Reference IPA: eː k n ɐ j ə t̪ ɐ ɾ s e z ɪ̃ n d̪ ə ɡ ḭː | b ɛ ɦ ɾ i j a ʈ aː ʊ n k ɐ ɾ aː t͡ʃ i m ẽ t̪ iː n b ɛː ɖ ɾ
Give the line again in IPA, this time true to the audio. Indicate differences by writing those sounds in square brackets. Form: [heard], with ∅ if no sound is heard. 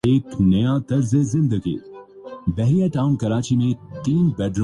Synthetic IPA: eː k n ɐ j [a] t̪ ɐ ɾ [z] e z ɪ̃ n d̪ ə ɡ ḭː | b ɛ ɦ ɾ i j a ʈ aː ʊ n k ɐ ɾ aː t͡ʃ i m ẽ t̪ iː n b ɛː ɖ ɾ